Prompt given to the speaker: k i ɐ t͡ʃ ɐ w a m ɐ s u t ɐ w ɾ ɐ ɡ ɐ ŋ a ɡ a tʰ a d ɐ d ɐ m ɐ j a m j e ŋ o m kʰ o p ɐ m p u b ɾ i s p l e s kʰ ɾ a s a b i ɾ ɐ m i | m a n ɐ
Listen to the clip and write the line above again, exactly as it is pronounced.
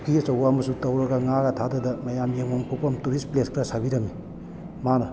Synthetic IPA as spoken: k i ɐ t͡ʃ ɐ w a m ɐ s u t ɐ w ɾ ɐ ɡ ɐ ŋ a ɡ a tʰ a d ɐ d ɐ m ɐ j a m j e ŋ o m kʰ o p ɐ m t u ɾ i s p l e s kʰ ɾ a s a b i ɾ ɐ m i | m a n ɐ